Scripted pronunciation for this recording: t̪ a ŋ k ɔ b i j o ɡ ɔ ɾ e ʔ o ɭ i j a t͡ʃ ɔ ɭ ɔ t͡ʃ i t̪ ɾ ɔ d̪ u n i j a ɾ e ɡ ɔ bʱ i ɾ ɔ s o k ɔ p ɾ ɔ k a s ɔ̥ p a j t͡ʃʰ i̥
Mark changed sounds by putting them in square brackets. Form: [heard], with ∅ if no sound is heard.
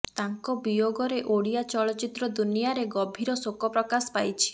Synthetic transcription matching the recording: t̪ a ŋ k ɔ b i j o ɡ ɔ ɾ e ʔ o [ɽ] i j a t͡ʃ ɔ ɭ ɔ t͡ʃ i t̪ ɾ ɔ d̪ u n i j a ɾ e ɡ ɔ bʱ i ɾ ɔ s o k ɔ p ɾ ɔ k a s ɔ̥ p a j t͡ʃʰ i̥